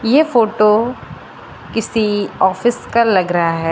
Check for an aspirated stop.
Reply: absent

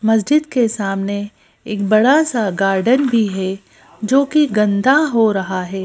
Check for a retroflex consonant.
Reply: present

